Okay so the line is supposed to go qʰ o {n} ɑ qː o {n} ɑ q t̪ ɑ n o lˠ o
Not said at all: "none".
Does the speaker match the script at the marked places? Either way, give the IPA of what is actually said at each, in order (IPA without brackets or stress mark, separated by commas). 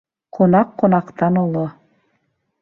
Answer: n, n